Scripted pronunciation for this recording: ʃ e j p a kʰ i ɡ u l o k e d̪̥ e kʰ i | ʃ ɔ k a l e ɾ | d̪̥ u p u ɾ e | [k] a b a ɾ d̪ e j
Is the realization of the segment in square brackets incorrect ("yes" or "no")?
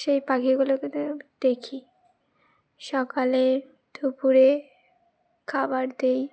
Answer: yes